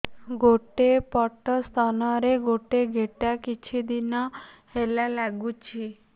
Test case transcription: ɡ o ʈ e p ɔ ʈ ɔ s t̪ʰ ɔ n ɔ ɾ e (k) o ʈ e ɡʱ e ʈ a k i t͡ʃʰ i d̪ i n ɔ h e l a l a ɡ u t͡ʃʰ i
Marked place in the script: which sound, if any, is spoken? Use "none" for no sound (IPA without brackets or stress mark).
ɡ